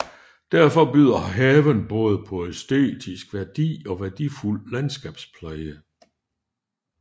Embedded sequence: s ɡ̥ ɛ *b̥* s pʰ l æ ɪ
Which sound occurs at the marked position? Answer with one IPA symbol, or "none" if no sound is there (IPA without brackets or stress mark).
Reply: b̥